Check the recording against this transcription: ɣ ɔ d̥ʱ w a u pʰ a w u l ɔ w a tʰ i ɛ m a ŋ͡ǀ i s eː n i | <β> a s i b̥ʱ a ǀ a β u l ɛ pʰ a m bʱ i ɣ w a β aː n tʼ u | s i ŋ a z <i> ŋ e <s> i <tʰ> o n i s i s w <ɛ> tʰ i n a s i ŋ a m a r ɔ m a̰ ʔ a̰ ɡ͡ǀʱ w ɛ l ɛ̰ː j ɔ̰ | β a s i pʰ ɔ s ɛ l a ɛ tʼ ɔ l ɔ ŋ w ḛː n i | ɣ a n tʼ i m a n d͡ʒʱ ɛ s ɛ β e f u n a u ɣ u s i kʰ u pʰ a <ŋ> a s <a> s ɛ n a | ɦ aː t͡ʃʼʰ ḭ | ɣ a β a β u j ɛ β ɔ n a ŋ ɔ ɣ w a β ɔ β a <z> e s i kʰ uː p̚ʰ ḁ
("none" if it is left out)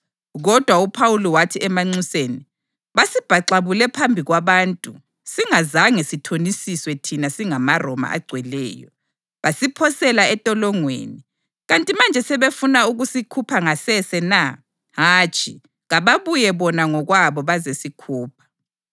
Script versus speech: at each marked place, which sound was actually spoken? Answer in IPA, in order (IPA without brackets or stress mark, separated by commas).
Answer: β, a, s, tʰ, ɛ, ŋ, ɛ, z